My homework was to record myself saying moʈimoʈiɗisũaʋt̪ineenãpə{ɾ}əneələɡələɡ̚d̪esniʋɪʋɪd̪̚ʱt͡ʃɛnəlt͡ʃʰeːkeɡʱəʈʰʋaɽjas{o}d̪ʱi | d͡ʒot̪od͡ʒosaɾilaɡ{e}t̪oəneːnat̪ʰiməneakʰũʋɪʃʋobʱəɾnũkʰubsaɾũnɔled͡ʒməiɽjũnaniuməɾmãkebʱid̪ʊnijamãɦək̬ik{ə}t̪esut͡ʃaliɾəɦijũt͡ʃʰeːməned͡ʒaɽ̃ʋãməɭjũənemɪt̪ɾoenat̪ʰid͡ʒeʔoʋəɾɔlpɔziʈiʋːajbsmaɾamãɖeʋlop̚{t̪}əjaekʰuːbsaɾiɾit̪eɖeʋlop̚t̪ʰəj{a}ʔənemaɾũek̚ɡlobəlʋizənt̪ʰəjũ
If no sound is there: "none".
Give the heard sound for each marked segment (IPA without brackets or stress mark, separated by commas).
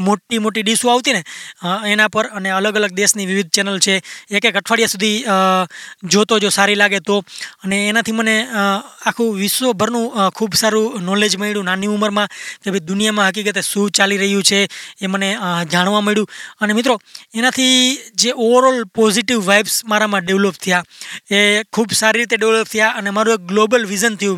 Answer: ɾ, u, e, ə, t̪ʰ, a